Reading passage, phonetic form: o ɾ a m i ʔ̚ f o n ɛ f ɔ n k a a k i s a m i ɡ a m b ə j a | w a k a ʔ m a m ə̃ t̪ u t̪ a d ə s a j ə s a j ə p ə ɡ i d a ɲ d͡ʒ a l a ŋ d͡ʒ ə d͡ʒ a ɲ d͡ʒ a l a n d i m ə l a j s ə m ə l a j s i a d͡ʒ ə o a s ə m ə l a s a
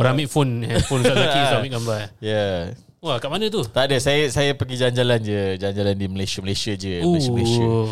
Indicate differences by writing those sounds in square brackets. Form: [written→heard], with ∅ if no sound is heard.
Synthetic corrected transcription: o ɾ a m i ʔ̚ f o n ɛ f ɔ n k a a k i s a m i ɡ a m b [ə→a] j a | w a k a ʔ m a [m→n] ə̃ t̪ u t̪ a d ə s a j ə s a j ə p ə ɡ i [d→d͡ʒ] a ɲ d͡ʒ a l a [ŋ→n] d͡ʒ ə d͡ʒ a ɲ d͡ʒ a l a n d i m ə l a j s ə m ə l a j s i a d͡ʒ ə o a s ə m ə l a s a